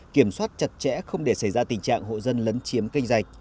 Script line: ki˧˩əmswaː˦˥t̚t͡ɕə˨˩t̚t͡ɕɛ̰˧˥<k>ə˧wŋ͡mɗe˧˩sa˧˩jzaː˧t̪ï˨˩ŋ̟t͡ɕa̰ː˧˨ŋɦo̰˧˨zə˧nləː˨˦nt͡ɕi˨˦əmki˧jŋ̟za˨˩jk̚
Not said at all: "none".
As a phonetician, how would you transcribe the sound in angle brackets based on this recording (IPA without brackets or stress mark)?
x